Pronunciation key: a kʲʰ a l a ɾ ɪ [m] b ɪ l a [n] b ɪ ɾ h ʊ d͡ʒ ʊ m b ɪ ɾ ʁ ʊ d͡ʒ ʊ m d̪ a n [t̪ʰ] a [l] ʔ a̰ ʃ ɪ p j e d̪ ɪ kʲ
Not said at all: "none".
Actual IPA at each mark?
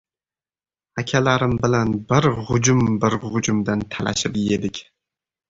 m, n, t̪ʰ, l

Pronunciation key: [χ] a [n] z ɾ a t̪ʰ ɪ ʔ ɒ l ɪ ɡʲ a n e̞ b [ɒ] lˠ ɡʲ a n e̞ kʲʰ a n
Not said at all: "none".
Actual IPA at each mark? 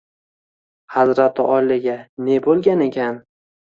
h, none, o

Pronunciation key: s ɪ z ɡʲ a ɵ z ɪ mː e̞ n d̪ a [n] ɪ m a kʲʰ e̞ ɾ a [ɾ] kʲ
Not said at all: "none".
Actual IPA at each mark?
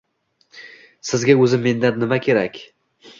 nː, none

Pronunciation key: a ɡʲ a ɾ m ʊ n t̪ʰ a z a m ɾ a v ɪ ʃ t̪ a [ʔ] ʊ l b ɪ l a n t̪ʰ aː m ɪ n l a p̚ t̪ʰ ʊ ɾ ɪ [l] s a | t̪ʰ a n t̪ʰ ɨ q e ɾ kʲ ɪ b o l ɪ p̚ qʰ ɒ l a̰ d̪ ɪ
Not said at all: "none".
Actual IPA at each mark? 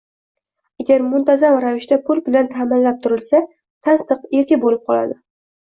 p, l

